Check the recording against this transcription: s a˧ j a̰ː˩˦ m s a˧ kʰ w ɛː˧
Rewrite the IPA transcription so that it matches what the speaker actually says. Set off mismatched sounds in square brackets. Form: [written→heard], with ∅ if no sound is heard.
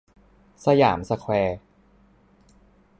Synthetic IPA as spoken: s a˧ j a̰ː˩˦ m s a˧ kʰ w ɛː˧